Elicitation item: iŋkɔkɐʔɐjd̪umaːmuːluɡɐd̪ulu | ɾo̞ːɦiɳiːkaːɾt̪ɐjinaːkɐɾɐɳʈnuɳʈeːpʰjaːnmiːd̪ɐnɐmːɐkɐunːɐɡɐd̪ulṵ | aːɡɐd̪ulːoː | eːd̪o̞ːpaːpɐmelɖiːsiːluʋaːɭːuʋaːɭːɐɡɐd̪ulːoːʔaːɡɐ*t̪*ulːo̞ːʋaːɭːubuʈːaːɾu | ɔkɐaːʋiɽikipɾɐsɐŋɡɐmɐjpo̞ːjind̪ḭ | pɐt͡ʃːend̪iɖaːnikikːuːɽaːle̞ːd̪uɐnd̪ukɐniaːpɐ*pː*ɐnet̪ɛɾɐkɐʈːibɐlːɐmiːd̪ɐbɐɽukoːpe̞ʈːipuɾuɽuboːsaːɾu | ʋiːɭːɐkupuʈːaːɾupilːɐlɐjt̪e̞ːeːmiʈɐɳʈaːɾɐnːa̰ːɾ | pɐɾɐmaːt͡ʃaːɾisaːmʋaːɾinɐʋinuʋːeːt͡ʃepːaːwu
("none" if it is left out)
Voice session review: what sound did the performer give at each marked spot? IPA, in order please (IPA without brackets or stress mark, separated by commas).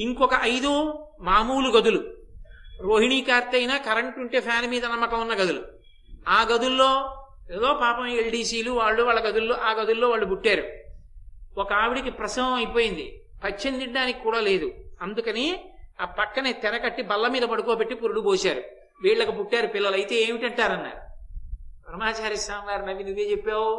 d̪, kː